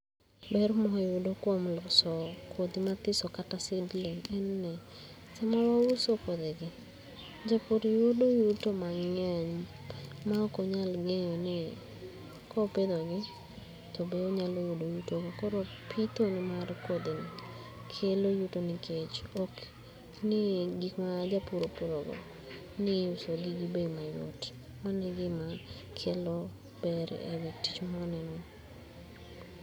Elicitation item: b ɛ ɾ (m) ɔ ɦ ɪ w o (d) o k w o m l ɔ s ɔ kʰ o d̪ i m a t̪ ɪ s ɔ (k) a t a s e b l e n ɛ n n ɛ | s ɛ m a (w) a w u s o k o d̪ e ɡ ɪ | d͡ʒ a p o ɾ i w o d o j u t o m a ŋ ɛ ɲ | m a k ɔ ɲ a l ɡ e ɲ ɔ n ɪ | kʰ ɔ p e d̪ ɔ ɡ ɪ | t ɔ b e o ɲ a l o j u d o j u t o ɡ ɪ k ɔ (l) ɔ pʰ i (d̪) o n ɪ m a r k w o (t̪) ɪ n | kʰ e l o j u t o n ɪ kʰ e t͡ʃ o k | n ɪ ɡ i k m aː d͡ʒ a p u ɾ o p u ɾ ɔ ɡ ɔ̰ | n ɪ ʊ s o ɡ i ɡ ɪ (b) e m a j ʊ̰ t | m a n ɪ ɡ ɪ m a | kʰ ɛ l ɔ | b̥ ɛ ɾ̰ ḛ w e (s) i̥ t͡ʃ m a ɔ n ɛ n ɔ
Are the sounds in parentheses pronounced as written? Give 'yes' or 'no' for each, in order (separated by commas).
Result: yes, yes, yes, yes, no, no, no, yes, no